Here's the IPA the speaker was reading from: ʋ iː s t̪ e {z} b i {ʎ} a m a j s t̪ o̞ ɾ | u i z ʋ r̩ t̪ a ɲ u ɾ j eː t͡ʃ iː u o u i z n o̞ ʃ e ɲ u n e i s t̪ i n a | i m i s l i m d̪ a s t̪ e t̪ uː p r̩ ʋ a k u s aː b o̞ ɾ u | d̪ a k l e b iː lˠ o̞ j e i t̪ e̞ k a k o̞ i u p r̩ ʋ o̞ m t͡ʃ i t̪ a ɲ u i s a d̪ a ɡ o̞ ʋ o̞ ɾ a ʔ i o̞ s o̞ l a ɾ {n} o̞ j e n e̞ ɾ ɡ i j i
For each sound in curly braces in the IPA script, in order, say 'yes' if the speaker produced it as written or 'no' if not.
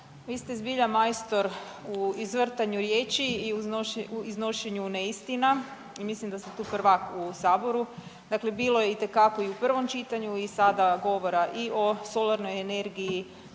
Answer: yes, yes, yes

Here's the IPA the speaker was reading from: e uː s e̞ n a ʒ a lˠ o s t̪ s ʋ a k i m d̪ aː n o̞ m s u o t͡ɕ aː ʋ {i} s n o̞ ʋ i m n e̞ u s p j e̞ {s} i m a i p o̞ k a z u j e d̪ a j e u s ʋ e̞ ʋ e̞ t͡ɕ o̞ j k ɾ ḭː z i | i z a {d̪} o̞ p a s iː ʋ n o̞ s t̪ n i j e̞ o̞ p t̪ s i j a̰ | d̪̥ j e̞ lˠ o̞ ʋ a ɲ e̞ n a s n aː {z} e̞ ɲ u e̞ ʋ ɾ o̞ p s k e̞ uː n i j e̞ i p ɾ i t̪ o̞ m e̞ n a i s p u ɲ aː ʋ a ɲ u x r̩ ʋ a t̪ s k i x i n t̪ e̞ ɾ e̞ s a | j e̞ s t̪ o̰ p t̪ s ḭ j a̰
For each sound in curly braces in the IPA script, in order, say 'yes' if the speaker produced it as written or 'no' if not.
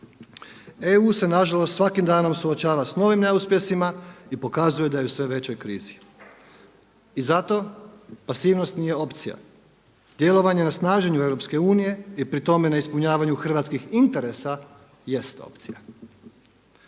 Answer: no, yes, no, no

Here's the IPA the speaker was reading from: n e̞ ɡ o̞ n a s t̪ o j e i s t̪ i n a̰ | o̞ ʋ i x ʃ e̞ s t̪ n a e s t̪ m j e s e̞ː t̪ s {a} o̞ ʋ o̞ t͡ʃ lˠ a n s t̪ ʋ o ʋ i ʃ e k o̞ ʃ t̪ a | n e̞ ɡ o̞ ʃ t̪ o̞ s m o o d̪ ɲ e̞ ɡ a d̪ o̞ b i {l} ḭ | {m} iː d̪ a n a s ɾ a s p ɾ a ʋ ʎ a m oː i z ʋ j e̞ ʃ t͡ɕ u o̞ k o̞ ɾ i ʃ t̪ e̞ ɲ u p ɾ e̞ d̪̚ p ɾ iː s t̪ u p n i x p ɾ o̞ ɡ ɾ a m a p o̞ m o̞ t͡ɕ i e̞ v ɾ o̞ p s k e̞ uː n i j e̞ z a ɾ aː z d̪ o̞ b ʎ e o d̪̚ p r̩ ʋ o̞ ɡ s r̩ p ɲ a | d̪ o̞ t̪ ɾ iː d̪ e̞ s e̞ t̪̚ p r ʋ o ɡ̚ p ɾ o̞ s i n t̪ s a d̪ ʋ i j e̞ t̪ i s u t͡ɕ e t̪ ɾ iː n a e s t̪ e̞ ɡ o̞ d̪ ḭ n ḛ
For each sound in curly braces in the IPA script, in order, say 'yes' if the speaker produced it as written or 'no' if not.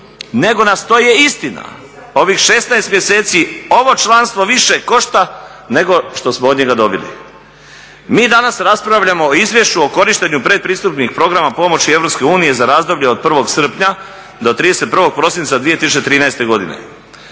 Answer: no, yes, yes

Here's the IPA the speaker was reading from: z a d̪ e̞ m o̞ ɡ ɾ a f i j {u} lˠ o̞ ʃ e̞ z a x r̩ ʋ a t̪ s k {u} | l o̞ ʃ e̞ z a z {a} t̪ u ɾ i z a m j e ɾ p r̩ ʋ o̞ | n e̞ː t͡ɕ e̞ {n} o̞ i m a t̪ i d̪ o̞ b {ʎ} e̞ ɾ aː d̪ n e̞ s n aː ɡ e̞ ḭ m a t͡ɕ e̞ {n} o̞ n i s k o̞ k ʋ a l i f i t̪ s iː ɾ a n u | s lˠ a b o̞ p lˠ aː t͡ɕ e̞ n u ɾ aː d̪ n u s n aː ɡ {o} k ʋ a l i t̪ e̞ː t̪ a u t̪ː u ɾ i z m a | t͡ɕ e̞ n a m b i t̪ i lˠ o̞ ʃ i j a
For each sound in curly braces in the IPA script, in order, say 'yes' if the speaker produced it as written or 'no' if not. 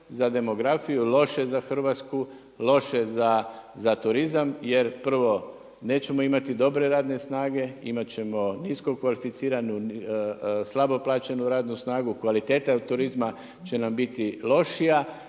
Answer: yes, yes, yes, no, no, no, no

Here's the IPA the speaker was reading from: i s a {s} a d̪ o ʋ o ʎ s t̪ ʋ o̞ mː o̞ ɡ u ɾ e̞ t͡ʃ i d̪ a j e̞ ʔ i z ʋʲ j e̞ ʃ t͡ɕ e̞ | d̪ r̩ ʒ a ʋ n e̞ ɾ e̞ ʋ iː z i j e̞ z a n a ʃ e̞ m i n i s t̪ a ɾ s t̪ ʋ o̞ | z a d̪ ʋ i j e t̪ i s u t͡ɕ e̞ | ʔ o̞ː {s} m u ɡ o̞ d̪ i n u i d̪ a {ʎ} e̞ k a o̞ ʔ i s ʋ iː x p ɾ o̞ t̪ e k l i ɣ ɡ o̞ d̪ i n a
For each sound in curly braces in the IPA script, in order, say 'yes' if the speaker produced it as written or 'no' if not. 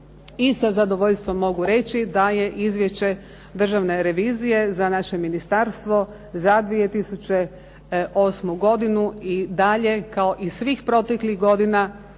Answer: no, yes, yes

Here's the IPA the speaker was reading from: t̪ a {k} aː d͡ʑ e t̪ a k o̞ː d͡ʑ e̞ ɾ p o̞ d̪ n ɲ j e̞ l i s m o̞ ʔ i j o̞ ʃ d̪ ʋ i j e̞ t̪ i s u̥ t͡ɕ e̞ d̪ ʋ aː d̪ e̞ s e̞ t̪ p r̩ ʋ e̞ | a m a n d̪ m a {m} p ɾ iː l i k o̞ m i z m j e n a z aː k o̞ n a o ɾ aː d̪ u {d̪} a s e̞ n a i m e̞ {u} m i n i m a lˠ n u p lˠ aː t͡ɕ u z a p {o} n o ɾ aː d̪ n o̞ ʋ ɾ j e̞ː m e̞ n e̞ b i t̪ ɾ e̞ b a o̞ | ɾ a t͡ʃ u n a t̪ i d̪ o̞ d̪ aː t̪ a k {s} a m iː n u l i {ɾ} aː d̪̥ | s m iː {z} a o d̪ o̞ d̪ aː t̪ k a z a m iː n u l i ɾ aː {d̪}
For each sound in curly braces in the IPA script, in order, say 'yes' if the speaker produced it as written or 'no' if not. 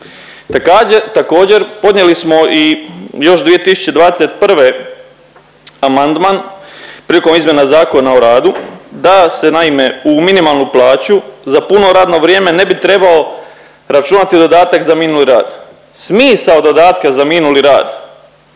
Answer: yes, no, yes, yes, no, no, yes, no, yes

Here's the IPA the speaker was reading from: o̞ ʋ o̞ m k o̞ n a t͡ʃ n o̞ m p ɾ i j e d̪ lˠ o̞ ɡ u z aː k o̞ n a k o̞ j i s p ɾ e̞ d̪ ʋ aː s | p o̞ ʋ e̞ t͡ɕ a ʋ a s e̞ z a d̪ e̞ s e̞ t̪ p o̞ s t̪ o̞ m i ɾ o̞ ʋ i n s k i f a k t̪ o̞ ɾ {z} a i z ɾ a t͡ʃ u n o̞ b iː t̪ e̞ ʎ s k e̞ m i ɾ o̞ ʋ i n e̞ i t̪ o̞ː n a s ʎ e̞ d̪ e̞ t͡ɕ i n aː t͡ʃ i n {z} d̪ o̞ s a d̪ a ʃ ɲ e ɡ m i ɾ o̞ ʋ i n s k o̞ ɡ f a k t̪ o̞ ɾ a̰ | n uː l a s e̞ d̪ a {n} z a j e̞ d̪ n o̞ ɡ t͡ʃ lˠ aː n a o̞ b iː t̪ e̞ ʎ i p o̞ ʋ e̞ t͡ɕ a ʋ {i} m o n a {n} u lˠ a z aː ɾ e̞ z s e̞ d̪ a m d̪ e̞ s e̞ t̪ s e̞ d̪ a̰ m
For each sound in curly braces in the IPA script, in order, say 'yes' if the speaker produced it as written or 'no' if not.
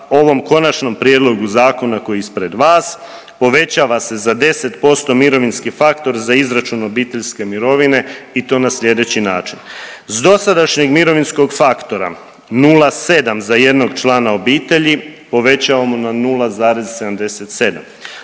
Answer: yes, yes, no, no, yes

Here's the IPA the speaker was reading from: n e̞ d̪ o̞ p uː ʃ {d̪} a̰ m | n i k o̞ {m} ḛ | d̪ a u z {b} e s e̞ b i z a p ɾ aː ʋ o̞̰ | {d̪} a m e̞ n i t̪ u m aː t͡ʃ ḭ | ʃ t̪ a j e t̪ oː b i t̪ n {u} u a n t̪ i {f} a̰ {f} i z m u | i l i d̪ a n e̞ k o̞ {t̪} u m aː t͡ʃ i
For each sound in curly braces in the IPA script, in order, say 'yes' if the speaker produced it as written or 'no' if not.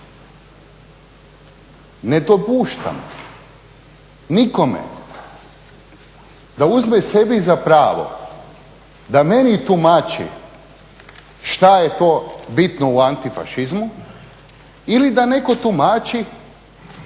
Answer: no, yes, no, yes, no, yes, no, yes

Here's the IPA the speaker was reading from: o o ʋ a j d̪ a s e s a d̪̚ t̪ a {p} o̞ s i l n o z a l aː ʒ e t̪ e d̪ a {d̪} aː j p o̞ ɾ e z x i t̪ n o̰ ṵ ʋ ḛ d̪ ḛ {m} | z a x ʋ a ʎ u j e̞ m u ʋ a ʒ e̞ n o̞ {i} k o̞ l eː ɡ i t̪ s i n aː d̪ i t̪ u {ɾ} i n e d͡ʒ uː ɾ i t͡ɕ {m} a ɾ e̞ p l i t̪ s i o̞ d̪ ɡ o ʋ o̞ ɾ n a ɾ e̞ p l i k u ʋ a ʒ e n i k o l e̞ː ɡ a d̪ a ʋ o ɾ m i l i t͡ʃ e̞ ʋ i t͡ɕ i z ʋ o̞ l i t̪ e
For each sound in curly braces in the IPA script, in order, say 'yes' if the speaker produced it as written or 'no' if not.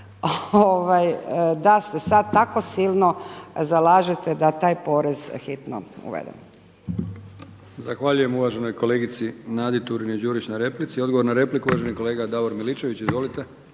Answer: no, no, yes, no, yes, no

